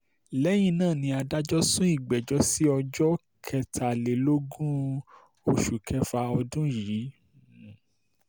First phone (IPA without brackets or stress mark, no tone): l